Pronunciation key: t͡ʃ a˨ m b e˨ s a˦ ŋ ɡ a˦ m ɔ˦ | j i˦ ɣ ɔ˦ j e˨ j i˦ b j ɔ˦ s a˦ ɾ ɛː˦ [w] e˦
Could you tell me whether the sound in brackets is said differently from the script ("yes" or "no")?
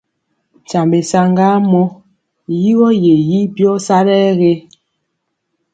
yes